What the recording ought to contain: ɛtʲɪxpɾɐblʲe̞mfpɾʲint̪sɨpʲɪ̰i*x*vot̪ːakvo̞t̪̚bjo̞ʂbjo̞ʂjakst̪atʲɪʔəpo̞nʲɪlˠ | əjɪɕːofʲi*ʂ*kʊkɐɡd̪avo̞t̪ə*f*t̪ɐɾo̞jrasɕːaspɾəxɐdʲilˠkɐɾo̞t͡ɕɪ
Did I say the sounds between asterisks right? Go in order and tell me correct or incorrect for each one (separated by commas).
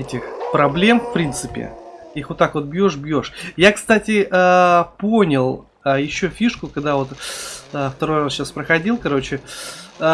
correct, correct, correct